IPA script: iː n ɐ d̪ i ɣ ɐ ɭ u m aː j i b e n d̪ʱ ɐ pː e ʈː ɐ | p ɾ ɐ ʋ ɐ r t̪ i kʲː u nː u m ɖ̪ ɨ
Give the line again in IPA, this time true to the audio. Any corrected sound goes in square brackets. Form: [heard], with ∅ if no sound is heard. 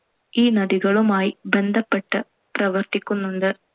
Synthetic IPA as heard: iː n ɐ d̪ i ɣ ɐ ɭ u m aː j i b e n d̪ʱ ɐ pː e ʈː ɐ | p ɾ ɐ ʋ ɐ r t̪ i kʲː u nː u [n] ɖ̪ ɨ